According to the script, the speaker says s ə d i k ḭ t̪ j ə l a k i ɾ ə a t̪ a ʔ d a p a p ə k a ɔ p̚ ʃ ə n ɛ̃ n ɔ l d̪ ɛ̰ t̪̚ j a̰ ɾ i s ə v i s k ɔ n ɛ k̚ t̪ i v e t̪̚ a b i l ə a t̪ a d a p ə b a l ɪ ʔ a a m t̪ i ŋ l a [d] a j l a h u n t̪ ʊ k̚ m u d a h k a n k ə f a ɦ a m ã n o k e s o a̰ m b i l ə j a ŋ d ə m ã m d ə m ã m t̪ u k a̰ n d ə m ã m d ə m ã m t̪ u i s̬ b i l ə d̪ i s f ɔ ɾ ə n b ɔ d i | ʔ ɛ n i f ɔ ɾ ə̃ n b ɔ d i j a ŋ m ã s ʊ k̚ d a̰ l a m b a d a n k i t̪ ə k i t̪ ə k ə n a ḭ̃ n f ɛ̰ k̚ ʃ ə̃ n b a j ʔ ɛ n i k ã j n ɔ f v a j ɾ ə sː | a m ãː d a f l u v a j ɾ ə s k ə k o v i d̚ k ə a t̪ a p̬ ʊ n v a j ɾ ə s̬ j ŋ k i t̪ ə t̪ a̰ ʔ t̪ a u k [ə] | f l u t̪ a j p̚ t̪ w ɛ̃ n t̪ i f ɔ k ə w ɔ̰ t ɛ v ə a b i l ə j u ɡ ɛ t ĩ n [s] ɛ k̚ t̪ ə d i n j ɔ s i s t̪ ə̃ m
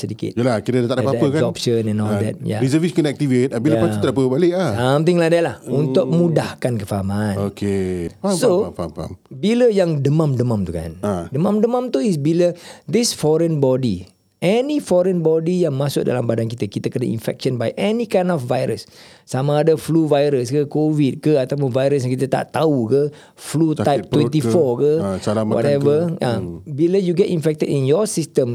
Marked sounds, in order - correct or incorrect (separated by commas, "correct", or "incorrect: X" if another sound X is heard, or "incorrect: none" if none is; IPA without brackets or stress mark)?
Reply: correct, correct, incorrect: f